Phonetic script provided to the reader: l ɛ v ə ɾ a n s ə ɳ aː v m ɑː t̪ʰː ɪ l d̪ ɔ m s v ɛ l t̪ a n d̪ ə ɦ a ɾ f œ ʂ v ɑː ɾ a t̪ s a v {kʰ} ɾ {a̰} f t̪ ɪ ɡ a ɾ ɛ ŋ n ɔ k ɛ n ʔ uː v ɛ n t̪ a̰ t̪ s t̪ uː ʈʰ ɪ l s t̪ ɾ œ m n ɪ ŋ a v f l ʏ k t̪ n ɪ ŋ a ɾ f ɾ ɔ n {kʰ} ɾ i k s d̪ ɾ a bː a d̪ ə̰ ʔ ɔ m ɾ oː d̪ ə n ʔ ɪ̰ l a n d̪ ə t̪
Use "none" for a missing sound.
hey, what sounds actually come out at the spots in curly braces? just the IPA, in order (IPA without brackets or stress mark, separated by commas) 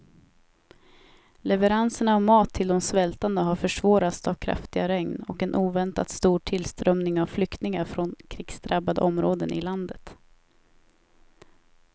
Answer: kʰ, a̰, kʰ